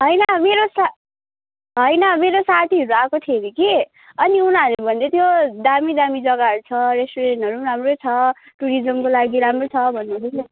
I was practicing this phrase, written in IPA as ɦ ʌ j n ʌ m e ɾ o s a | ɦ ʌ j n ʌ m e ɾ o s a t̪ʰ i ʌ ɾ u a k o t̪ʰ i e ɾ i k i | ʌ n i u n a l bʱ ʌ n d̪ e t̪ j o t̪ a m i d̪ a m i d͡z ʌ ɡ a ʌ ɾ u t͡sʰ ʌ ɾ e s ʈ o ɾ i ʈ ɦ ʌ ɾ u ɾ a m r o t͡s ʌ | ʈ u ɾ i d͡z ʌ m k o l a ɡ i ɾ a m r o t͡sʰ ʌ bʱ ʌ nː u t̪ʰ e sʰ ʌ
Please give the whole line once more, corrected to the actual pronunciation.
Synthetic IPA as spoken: ɦ ʌ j n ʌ m e ɾ o s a | ɦ ʌ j n ʌ m e ɾ o s a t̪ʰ i ʌ ɾ u a k o t̪ʰ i e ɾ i k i | ʌ n i u n a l bʱ ʌ n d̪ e t̪ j o d̪ a m i d̪ a m i d͡z ʌ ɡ a ʌ ɾ u t͡sʰ ʌ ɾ e s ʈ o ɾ e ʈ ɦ ʌ ɾ u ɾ a m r o t͡sʰ ʌ | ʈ u ɾ i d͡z ʌ m k o l a ɡ i ɾ a m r o t͡sʰ ʌ bʱ ʌ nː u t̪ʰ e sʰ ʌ

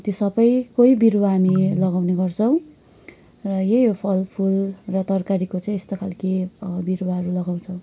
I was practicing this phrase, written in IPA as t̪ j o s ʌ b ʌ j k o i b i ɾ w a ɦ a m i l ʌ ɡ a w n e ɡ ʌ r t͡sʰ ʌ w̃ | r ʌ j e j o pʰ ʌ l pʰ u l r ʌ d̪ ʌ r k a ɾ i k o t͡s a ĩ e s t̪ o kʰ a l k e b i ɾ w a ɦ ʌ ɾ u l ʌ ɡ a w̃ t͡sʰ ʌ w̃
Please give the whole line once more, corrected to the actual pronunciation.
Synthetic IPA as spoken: t̪ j o s ʌ b ʌ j k o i b i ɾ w a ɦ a m i l ʌ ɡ a w n e ɡ ʌ r t͡sʰ ʌ w̃ | r ʌ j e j o pʰ ʌ l pʰ u l r ʌ t̪ ʌ r k a ɾ i k o t͡s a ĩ e s t̪ o kʰ a l k e b i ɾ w a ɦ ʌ ɾ u l ʌ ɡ a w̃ t͡sʰ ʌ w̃

